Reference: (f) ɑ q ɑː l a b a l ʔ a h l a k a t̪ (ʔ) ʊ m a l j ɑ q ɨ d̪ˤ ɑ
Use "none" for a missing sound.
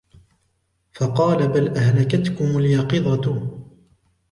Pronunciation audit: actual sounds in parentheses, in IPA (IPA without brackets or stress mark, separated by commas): f, k